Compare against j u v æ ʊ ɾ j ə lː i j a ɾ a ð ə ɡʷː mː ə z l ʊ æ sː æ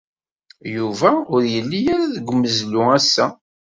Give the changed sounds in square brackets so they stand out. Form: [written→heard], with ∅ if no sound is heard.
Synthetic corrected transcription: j u v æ ʊ ɾ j ə lː i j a ɾ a ð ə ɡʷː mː ə z l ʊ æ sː æ